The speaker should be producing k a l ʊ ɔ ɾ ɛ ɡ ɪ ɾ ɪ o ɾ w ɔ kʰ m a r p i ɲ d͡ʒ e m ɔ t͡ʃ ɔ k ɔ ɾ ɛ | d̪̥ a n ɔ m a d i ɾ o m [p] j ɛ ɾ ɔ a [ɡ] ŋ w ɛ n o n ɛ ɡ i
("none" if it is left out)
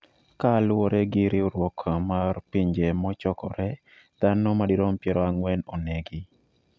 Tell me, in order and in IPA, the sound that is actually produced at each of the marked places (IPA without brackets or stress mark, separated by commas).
p, none